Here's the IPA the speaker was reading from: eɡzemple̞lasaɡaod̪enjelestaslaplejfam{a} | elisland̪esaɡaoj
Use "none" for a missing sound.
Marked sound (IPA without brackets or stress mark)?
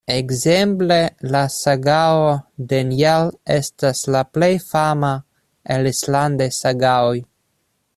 a